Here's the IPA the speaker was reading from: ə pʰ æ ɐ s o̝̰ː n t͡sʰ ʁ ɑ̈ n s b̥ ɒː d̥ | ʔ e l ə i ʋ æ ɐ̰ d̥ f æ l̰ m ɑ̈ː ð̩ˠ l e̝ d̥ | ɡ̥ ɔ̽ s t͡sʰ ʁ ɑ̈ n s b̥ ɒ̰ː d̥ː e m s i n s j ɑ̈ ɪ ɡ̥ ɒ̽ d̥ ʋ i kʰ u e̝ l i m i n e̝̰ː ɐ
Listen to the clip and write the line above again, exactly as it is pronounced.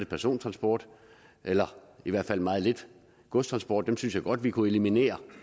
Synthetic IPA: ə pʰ æ ɐ s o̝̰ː n t͡sʰ ʁ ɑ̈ n s b̥ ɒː d̥ | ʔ e l ɐ i ʋ æ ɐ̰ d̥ f æ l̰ m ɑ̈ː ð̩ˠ l e̝ d̥ | ɡ̥ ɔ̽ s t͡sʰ ʁ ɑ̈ n s b̥ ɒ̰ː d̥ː e m s y n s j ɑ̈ ɪ ɡ̥ ɒ̽ d̥ ʋ i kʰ u e̝ l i m i n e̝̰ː ɐ